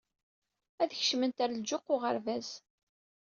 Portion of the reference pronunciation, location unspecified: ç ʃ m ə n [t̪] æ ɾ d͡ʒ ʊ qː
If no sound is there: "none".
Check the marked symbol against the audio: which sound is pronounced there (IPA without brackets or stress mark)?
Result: t̪